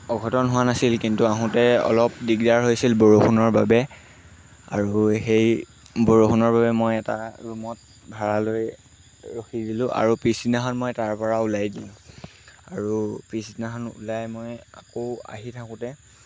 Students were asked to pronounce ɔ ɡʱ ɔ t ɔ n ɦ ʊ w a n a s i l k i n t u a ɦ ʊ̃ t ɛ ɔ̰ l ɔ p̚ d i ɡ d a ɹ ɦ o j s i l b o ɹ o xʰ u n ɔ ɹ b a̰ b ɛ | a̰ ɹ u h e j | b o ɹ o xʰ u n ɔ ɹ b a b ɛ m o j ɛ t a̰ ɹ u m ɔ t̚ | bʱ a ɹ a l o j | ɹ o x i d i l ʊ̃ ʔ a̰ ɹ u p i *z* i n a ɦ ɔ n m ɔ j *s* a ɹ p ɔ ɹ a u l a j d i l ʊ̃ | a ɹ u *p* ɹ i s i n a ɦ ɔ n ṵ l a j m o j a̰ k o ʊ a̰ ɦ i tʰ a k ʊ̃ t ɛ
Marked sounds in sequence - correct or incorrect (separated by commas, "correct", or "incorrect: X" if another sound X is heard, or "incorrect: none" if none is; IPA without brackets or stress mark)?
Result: incorrect: s, incorrect: t, correct